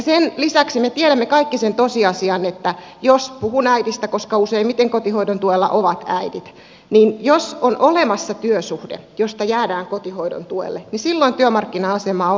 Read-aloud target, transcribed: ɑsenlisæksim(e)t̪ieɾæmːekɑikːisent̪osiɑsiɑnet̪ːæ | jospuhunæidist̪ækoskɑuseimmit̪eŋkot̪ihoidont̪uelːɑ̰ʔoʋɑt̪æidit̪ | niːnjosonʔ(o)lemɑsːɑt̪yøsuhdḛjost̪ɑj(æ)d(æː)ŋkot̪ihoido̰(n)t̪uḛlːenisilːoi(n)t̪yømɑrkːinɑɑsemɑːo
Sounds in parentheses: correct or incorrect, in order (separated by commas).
correct, correct, incorrect, correct, correct, correct